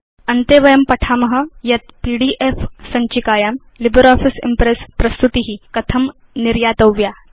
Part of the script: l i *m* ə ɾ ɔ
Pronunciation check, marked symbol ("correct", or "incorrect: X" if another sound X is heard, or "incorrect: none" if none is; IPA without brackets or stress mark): incorrect: b